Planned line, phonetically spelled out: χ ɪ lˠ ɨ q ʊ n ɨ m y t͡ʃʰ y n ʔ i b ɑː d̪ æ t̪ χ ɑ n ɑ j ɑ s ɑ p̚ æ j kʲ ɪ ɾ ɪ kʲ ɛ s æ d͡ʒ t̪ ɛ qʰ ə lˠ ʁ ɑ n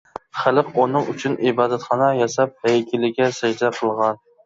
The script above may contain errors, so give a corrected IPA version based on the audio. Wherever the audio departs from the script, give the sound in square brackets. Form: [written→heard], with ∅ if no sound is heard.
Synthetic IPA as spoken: χ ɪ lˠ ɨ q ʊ n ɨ [m→ŋ] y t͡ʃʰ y n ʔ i b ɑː d̪ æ t̪ χ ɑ n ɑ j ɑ s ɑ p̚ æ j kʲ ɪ [ɾ→l] ɪ [kʲ→ɡʲ] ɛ s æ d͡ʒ [t̪→d̪] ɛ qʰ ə lˠ ʁ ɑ n